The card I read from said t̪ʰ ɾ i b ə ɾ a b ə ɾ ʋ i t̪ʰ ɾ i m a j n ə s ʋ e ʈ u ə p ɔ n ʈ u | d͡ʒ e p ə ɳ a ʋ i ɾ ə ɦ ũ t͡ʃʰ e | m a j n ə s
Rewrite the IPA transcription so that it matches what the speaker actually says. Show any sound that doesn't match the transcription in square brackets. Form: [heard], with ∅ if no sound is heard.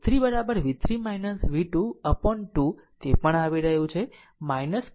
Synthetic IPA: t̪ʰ ɾ i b ə ɾ a b ə ɾ ʋ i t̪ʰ ɾ i m a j n ə s ʋ [i] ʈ u ə p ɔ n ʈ u | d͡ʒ e p ə ɳ a ʋ i ɾ ə ɦ ũ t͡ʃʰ e | m a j n ə s